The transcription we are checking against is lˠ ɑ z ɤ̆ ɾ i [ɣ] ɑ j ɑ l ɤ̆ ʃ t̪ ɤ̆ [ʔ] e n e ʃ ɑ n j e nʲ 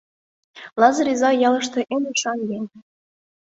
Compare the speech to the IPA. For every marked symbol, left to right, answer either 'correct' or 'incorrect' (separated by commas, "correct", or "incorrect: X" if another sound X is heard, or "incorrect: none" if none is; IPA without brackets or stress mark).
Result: incorrect: z, correct